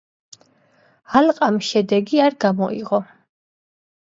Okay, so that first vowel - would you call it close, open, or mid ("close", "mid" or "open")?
open